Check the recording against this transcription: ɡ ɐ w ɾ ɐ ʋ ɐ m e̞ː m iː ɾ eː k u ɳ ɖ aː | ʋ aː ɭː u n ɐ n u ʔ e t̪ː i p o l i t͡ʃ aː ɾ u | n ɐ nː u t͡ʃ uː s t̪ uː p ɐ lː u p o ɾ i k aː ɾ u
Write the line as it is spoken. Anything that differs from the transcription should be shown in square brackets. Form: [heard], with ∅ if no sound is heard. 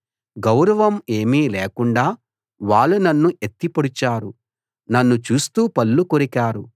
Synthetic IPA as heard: ɡ ɐ w ɾ ɐ ʋ ɐ m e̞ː m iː [l] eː k u ɳ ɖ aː | ʋ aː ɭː u n ɐ [nː] u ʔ e t̪ː i p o [ɽ] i t͡ʃ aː ɾ u | n ɐ nː u t͡ʃ uː s t̪ uː p ɐ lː u [k] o ɾ i k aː ɾ u